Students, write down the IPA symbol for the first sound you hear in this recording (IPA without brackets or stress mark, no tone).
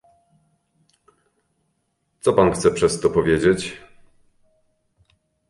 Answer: t̪